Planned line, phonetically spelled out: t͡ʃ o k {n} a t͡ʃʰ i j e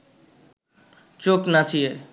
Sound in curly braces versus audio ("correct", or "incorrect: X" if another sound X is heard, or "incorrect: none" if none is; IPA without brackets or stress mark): correct